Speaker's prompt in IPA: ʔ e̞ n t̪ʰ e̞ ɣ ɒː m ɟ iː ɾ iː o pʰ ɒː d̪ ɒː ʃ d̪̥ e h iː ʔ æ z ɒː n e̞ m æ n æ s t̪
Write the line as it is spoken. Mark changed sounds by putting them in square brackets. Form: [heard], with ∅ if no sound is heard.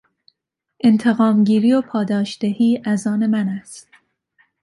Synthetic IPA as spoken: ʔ e̞ n t̪ʰ e̞ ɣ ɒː m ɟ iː ɾ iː o pʰ ɒː d̪ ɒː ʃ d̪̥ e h iː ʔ æ z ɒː n e̞ m æ n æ s t̪